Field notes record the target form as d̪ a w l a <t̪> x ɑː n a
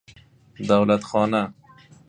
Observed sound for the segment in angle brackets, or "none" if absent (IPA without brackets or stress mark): t̪